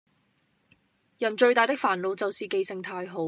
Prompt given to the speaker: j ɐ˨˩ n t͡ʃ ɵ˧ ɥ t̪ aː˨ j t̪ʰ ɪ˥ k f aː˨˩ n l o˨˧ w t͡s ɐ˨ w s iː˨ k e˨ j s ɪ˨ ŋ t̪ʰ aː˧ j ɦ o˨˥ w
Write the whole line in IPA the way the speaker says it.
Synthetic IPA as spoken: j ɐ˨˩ n t͡ʃ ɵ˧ ɥ t̪ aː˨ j t̪ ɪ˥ k f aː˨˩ n l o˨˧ w t͡s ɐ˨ w s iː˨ k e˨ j s ɪ˨ ŋ t̪ʰ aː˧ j ɦ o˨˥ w